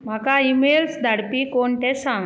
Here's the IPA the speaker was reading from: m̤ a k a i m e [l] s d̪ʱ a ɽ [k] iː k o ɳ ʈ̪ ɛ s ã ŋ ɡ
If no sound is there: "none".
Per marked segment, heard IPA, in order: l, p

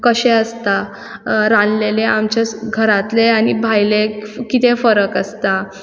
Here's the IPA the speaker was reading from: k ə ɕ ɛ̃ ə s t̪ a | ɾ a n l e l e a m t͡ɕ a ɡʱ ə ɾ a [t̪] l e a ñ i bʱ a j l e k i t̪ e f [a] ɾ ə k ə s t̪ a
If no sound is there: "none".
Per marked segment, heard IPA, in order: t̪, ə

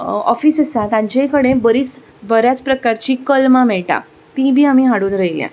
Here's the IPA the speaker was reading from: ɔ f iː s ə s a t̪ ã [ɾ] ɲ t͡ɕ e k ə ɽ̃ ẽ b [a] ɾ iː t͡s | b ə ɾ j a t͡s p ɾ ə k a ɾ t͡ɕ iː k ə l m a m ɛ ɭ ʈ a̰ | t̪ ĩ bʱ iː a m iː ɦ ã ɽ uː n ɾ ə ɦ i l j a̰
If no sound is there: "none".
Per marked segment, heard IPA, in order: none, ə

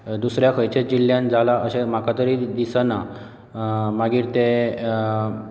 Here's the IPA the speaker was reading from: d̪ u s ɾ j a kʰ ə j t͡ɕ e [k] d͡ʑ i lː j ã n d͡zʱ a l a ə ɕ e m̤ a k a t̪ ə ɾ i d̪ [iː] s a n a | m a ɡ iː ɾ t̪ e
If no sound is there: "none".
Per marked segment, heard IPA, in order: none, i

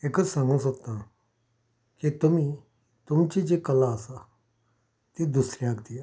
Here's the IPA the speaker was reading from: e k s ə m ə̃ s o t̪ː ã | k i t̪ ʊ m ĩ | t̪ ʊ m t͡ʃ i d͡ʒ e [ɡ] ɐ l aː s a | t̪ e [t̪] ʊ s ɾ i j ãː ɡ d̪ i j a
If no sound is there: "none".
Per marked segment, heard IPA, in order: k, d̪

